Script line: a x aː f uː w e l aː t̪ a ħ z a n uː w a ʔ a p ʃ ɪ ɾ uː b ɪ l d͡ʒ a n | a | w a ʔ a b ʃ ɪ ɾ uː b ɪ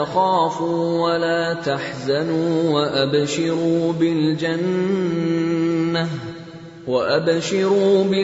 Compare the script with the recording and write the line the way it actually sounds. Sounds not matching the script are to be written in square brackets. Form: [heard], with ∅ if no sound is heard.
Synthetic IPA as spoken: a x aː f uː w [a] l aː t̪ a ħ z a n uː w a ʔ a [b] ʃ ɪ ɾ uː b ɪ l d͡ʒ a n | a | w a ʔ a b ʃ ɪ ɾ uː b ɪ